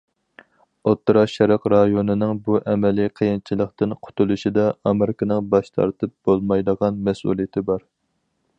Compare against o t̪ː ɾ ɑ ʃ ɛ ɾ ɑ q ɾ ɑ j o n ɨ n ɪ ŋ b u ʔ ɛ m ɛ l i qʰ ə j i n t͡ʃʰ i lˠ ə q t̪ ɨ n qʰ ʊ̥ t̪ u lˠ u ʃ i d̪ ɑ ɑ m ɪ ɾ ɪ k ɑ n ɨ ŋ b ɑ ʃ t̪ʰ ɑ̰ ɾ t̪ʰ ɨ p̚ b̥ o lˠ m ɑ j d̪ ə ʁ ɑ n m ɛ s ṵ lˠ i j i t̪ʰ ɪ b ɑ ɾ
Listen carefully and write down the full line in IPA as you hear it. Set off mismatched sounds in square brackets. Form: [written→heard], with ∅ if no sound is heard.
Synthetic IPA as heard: o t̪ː ɾ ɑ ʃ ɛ ɾ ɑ q ɾ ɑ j o n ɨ n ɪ ŋ b u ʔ ɛ m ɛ l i qʰ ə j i n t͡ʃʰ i lˠ ə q t̪ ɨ n qʰ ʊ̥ t̪ u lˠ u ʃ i d̪ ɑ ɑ m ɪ ɾ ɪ k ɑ n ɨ ŋ b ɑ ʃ t̪ʰ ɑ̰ ɾ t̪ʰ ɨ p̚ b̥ o lˠ m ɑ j d̪ ə ʁ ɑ n m ɛ s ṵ lˠ i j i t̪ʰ ɪ b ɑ ɾ